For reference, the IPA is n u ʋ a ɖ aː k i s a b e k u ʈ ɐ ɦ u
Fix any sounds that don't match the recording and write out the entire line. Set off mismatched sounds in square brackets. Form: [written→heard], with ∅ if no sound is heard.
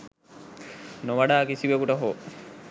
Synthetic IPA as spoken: n [u→o] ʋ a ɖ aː k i s [a→i] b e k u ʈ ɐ ɦ [u→o]